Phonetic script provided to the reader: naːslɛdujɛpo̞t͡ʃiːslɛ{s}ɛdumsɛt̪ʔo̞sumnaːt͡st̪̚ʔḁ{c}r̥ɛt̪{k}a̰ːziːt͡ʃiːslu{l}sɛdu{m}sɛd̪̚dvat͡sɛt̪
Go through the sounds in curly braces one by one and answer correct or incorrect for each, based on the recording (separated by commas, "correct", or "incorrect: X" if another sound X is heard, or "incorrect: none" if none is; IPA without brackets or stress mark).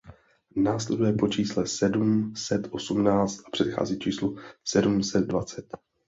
correct, incorrect: p, incorrect: x, incorrect: none, correct